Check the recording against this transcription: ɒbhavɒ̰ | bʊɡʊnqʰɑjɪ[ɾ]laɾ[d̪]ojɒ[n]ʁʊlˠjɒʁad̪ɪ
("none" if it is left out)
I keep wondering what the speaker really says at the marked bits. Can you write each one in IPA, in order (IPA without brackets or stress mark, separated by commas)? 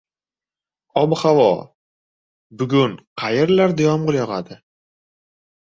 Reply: ɾ, d̪, m